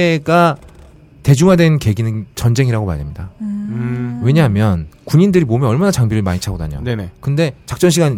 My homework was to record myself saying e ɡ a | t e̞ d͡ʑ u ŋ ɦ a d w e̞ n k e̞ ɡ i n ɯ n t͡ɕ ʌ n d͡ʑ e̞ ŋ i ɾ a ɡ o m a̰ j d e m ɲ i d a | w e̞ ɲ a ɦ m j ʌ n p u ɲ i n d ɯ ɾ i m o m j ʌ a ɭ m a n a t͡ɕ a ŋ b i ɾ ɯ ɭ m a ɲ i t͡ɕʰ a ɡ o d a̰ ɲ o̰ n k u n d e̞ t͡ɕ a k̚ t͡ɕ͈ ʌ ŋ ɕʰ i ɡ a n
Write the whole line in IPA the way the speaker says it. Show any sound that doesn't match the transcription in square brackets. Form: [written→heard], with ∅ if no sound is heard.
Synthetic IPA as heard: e ɡ a | t e̞ d͡ʑ u ŋ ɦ a d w e̞ n k e̞ ɡ i n ɯ n t͡ɕ ʌ n d͡ʑ e̞ ŋ i ɾ a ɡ o m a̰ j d e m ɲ i d a | w e̞ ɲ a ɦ m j ʌ n [p→k] u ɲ i n d ɯ ɾ i m o m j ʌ [a→ʌ] ɭ m a n a t͡ɕ a ŋ b i ɾ ɯ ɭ m a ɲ i t͡ɕʰ a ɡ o d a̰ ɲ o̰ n k [u→ɯ] n d e̞ t͡ɕ a k̚ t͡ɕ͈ ʌ [ŋ→n] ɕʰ i ɡ a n